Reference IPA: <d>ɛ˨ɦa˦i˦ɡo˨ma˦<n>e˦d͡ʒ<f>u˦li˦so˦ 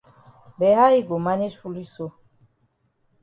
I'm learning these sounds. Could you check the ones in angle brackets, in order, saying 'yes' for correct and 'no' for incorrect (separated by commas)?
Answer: no, yes, yes